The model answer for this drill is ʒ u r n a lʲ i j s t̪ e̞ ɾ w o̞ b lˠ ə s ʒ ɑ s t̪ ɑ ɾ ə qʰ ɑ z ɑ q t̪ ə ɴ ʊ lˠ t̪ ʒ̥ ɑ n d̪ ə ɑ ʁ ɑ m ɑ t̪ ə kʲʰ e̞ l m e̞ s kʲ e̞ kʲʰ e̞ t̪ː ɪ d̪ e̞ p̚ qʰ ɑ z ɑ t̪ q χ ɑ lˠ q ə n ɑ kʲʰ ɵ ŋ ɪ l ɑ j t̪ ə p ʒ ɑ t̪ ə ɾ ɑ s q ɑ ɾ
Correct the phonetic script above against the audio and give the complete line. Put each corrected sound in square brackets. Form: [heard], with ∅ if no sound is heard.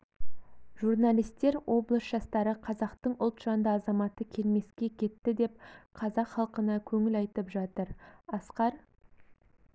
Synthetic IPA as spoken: ʒ u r n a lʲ i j s t̪ e̞ ɾ w o̞ b lˠ ə s ʒ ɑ s t̪ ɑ ɾ ə qʰ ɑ z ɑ q t̪ ə ɴ ʊ lˠ t̪ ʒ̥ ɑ n d̪ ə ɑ [z] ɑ m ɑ t̪ ə kʲʰ e̞ l m e̞ s kʲ e̞ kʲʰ e̞ t̪ː ɪ d̪ e̞ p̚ qʰ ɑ z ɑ [∅] q χ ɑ lˠ q ə n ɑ kʲʰ ɵ ŋ ɪ l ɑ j t̪ ə p ʒ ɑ t̪ ə ɾ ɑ s q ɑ ɾ

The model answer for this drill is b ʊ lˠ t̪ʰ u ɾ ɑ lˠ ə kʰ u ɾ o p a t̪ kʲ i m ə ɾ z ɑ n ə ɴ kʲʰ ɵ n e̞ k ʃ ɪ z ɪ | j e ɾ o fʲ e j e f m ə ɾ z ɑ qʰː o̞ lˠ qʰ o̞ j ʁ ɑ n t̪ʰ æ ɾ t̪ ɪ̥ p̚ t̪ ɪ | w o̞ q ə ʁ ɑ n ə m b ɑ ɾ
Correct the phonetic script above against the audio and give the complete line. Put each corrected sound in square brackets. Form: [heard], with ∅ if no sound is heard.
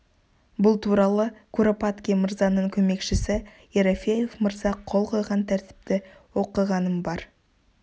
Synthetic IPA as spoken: b ʊ lˠ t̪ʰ u ɾ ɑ lˠ ə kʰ u ɾ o p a t̪ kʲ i m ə ɾ z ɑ n ə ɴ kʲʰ ɵ [m] e̞ k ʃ ɪ [s] ɪ | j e ɾ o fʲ e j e f m ə ɾ z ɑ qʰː o̞ lˠ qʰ o̞ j ʁ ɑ n t̪ʰ æ ɾ t̪ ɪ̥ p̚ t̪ ɪ | w o̞ q ə ʁ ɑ n ə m b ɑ ɾ

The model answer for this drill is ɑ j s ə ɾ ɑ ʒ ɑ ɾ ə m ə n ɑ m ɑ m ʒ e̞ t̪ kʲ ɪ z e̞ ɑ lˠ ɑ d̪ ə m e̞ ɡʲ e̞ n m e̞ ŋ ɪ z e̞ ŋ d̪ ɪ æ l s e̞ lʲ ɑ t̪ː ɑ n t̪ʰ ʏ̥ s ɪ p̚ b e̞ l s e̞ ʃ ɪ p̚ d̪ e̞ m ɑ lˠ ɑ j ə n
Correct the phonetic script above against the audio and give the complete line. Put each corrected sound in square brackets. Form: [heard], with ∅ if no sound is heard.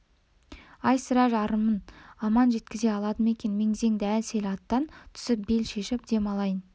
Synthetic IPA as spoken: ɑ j s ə ɾ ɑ ʒ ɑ ɾ ə m ə n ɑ m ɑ [n] ʒ e̞ t̪ kʲ ɪ z e̞ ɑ lˠ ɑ d̪ ə m e̞ [kʲ] e̞ n m e̞ ŋ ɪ z e̞ ŋ d̪ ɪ æ l s e̞ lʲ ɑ t̪ː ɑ n t̪ʰ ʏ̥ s ɪ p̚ b e̞ l [ʃ] e̞ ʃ ɪ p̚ d̪ e̞ m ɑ lˠ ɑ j ə n

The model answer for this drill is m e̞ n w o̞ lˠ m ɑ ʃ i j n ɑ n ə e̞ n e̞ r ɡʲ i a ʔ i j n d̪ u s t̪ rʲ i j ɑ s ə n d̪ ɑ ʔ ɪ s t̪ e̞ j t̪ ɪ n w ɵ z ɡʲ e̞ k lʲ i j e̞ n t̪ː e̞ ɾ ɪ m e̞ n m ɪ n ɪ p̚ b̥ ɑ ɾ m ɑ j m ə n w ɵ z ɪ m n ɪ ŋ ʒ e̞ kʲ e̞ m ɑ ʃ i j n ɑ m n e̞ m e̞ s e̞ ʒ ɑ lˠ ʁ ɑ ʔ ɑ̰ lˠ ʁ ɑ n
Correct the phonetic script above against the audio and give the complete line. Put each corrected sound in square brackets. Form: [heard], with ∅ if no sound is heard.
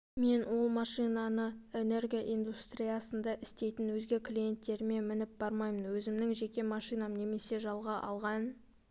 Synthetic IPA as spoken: m e̞ n w o̞ lˠ m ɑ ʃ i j n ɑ n ə e̞ n e̞ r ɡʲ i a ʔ i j n d̪ u s t̪ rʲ i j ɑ s ə n d̪ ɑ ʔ ɪ s t̪ e̞ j t̪ ɪ n w ɵ z ɡʲ e̞ k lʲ i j e̞ n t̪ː e̞ ɾ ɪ m e̞ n m ɪ n ɪ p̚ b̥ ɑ ɾ m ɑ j m ə n w ɵ z ɪ m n ɪ ŋ ʒ e̞ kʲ e̞ m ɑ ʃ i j n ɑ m n e̞ m e̞ s e̞ ʒ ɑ lˠ ʁ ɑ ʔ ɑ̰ lˠ ʁ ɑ n

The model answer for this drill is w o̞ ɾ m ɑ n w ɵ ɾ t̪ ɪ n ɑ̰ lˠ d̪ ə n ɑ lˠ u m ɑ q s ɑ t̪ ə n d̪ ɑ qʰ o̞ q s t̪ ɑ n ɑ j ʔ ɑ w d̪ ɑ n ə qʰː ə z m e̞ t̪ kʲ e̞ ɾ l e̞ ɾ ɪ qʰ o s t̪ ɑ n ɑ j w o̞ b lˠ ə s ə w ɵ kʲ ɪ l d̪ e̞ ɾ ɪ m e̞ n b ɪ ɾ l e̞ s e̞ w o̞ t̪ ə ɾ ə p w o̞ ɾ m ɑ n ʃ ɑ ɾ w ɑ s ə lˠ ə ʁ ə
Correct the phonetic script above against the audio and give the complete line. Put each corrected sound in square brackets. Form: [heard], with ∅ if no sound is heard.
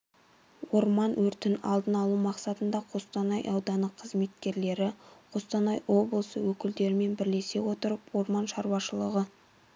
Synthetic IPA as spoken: w o̞ ɾ m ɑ n w ɵ ɾ t̪ ɪ n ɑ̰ lˠ d̪ ə n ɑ lˠ u m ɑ q s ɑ t̪ ə n d̪ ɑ qʰ o̞ [∅] s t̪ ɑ n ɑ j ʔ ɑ w d̪ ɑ n ə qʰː ə z m e̞ t̪ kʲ e̞ ɾ l e̞ ɾ ɪ qʰ o s t̪ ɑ n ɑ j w o̞ b lˠ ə s ə w ɵ kʲ ɪ l d̪ e̞ ɾ ɪ m e̞ n b ɪ ɾ l e̞ s e̞ w o̞ t̪ ə ɾ ə p w o̞ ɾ m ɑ n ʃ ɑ ɾ w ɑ [ʃ] ə lˠ ə ʁ ə

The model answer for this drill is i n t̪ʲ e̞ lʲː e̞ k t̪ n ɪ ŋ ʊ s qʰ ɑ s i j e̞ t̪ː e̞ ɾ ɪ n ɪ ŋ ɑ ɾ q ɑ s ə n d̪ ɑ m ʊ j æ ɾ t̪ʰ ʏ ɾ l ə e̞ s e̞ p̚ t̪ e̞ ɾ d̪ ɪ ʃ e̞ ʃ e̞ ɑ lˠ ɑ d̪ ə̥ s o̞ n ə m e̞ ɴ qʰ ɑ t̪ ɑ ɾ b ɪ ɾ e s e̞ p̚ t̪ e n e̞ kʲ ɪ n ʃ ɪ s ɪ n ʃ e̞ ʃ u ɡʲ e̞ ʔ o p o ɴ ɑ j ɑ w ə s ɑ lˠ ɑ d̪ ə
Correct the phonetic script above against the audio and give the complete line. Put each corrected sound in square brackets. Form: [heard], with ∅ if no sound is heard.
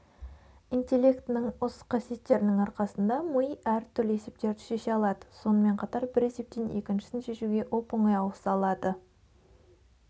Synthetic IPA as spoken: i n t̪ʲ e̞ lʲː e̞ k t̪ n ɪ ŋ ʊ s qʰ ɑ s i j e̞ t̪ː e̞ ɾ ɪ n ɪ ŋ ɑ ɾ q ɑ s ə n d̪ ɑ m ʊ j æ ɾ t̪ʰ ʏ ɾ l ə e̞ s e̞ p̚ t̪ e̞ ɾ d̪ ɪ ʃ e̞ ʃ e̞ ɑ lˠ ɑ d̪ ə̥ s o̞ n ə m e̞ ɴ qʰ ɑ t̪ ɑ ɾ b ɪ ɾ e s e̞ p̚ t̪ e n e̞ kʲ ɪ n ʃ ɪ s ɪ n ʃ e̞ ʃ u ɡʲ e̞ ʔ o p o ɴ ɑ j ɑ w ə s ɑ lˠ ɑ d̪ ə

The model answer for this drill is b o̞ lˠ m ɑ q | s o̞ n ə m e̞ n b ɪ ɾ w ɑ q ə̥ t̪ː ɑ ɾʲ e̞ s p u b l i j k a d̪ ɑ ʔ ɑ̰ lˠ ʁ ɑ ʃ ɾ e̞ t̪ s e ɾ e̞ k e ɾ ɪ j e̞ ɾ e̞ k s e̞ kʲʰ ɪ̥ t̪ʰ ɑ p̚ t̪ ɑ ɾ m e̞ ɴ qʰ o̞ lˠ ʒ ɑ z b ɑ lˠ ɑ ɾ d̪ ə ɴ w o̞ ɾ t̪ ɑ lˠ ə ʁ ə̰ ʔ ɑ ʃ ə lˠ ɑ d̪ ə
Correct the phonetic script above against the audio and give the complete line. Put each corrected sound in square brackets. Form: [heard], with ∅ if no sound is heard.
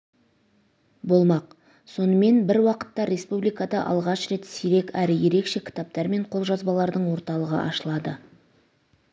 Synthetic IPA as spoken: b o̞ lˠ m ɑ q | s o̞ n ə m e̞ n b ɪ ɾ w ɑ q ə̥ t̪ː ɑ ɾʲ e̞ s p u b l i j k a d̪ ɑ ʔ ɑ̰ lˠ ʁ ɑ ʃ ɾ e̞ t̪ s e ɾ e̞ k [æ] ɾ ɪ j e̞ ɾ e̞ k [ʃ] e̞ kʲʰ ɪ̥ [t̪] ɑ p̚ t̪ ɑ ɾ m e̞ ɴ qʰ o̞ lˠ ʒ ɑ z b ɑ lˠ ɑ ɾ d̪ ə ɴ w o̞ ɾ t̪ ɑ lˠ ə ʁ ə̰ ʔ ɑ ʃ ə lˠ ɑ d̪ ə

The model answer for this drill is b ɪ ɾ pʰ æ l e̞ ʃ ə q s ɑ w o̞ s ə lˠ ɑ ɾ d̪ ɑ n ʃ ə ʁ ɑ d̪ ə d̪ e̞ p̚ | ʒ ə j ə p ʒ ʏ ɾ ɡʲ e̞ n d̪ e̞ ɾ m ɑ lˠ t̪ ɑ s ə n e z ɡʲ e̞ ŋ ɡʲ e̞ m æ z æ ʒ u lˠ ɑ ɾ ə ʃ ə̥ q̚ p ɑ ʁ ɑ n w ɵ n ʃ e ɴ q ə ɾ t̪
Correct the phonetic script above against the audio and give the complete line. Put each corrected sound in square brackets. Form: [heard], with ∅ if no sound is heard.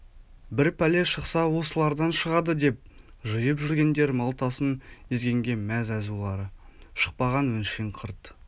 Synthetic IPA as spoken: b ɪ ɾ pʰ æ l e̞ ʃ ə q s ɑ w o̞ s ə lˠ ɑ ɾ d̪ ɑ n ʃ ə ʁ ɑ d̪ ə d̪ e̞ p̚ | ʒ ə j ə p ʒ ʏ ɾ ɡʲ e̞ n d̪ e̞ ɾ m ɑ lˠ t̪ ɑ s ə n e z ɡʲ e̞ ŋ ɡʲ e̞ m æ z æ [z] u lˠ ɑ ɾ ə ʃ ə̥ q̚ p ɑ ʁ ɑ n w ɵ n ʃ e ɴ [qʰ] ə ɾ t̪

